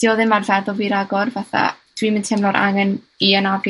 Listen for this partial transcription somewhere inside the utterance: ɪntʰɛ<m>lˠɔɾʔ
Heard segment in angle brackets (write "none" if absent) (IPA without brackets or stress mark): m